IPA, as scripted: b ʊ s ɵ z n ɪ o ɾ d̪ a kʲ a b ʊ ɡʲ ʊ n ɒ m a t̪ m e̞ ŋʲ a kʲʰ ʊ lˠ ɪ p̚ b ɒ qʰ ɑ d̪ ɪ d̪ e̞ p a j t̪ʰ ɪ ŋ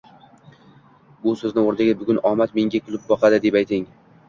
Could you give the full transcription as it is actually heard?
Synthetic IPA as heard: b ʊ s ɵ z n ɪ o ɾ d̪ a ɡʲ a b ʊ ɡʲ ʊ n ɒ m a t̪ m e̞ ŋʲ a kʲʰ ʊ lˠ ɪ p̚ b ɒ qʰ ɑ d̪ ɪ d̪ e̞ p a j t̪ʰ ɪ ŋ